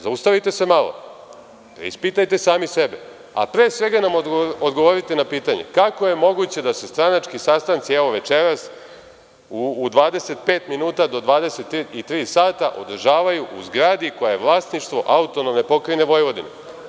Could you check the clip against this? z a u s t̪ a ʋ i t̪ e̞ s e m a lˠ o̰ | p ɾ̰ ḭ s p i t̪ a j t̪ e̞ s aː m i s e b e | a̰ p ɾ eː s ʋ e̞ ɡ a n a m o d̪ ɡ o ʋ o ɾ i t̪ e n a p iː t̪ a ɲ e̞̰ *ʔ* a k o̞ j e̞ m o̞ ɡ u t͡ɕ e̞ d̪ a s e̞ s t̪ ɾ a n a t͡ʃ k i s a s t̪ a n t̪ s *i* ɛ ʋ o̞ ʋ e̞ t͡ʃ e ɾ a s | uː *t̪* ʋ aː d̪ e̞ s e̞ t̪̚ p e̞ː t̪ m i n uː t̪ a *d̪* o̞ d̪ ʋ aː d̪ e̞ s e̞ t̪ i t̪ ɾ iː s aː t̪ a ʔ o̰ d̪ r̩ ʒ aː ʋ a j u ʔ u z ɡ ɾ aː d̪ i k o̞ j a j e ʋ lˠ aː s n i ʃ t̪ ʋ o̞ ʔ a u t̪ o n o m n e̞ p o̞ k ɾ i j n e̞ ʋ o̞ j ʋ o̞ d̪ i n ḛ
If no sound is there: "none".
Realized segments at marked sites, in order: k, i, d̪, d̪

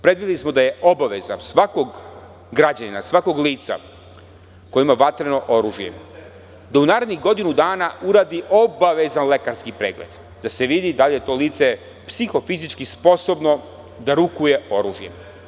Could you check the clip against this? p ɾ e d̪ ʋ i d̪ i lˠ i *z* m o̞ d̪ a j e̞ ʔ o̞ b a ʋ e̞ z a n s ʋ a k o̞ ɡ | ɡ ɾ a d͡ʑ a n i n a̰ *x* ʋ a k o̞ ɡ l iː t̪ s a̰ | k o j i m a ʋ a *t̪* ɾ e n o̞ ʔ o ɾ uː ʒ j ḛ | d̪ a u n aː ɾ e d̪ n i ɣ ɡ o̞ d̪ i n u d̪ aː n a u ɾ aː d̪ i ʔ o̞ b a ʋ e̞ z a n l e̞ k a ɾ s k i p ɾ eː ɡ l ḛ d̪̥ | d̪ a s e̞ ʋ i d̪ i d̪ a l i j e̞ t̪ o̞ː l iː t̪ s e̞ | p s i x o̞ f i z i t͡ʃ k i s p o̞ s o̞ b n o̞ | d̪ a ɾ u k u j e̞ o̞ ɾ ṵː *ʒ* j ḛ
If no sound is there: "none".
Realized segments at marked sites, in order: s, s, t̪, ʒ

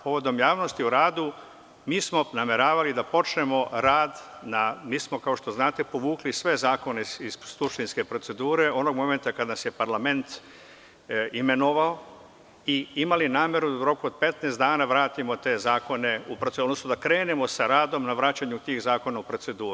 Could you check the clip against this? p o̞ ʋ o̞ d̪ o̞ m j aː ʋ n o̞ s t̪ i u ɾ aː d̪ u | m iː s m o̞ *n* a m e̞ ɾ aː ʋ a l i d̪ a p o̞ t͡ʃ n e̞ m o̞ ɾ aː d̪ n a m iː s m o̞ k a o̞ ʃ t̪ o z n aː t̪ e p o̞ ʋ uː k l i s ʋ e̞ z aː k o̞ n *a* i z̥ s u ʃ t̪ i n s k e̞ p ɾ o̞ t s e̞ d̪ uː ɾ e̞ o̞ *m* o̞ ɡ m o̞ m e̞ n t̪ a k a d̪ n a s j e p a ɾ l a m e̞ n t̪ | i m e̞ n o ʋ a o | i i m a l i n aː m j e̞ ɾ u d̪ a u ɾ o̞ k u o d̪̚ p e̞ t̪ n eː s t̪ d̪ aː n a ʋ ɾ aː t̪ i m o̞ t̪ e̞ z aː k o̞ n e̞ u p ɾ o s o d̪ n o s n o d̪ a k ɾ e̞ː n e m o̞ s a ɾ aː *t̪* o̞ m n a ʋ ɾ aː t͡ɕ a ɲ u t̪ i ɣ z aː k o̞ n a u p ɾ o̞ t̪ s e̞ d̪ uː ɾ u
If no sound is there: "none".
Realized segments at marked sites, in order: n, e, n, d̪

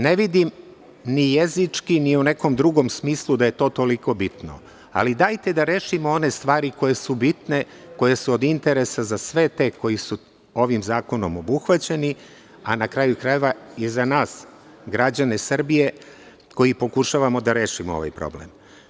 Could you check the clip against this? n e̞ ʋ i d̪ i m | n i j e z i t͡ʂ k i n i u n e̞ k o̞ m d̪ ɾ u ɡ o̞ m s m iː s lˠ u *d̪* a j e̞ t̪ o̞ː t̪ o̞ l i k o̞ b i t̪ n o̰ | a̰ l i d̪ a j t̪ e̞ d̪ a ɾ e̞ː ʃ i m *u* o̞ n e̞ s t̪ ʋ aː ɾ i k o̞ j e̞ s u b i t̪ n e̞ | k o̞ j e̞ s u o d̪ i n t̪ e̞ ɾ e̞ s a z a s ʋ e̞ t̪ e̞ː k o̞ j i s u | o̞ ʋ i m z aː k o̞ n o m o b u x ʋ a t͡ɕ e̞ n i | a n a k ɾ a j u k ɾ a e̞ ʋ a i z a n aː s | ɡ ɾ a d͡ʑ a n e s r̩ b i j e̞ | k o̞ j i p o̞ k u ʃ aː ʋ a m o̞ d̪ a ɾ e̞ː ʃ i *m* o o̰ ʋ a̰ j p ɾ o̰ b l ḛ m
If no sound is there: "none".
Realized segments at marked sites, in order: d̪, o, m

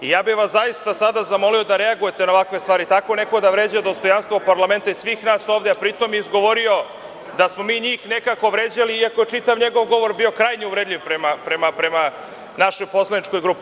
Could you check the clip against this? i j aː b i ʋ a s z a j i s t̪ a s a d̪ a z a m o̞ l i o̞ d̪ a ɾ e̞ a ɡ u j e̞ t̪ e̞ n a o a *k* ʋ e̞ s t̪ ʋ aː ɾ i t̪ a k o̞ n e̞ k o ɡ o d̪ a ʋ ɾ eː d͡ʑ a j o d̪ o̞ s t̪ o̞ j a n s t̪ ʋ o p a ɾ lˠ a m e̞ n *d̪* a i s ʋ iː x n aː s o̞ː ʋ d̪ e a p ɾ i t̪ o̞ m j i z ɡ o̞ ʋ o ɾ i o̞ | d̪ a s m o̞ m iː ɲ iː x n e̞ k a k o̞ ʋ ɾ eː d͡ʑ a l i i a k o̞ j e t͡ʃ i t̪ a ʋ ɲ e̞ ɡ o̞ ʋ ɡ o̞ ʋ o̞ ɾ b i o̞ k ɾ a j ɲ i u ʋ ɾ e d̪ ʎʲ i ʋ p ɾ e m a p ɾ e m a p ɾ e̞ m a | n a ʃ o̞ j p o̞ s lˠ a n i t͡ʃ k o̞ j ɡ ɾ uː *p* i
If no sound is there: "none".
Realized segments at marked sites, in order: k, t̪, p

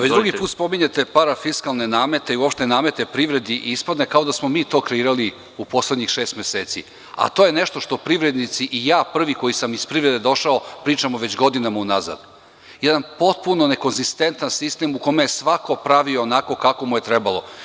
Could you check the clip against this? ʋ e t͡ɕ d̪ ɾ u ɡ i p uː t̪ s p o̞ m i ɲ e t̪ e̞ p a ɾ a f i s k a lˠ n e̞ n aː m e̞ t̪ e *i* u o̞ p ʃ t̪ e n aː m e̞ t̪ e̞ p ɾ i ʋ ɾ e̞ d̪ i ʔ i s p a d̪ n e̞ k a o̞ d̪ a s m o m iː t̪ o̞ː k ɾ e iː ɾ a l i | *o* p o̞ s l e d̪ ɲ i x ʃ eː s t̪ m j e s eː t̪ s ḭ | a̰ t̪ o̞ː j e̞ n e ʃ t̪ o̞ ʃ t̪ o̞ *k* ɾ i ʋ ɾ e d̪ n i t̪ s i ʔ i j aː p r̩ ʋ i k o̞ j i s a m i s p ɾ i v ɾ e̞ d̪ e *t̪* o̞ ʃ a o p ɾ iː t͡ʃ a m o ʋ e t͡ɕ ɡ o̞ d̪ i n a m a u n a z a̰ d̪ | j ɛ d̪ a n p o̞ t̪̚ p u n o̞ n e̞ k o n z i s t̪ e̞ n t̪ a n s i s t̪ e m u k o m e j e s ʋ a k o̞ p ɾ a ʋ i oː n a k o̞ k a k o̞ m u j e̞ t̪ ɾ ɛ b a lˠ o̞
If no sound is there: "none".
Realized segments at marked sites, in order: i, u, p, d̪

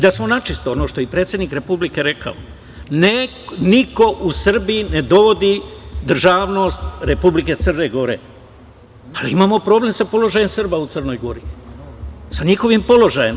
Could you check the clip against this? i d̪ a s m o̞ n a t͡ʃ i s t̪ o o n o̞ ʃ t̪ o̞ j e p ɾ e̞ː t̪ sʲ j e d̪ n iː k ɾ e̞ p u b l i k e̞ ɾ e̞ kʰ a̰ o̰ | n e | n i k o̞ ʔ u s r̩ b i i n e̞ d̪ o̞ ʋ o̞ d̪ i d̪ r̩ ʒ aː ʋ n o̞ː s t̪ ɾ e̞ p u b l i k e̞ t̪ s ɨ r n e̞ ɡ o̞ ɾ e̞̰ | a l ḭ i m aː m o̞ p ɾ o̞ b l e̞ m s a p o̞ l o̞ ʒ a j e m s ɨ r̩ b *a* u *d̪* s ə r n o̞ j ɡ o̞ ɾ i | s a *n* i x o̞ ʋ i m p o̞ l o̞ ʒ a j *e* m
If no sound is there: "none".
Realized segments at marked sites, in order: a, t̪, ɲ, e

